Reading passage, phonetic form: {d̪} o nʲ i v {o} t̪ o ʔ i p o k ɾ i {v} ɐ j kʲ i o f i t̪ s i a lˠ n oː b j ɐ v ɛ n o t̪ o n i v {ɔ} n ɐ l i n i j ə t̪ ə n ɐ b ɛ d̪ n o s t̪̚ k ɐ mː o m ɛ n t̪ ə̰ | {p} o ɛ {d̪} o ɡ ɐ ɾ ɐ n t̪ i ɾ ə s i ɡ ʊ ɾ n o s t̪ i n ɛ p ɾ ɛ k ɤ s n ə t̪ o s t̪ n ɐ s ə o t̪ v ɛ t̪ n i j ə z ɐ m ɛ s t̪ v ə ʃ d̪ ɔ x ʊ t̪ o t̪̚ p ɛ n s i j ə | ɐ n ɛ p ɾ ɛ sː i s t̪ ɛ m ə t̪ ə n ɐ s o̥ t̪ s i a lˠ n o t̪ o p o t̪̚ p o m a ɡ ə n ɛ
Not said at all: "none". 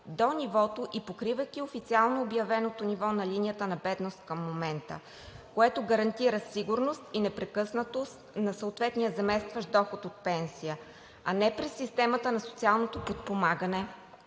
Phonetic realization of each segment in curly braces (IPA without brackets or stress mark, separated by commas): d̪, ɔ, v, ɔ, k, t̪